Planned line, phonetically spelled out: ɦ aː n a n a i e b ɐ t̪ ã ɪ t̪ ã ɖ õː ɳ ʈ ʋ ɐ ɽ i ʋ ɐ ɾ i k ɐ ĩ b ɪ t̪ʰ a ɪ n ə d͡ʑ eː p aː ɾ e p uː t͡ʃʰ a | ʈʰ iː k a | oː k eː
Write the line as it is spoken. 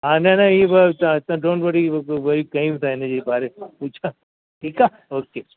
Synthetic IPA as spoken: ɦ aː n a n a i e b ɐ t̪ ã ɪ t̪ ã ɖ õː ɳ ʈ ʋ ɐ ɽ i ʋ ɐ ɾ i k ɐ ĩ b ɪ t̪ʰ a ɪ n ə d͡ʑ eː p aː ɾ e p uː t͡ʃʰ a | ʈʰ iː k a | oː k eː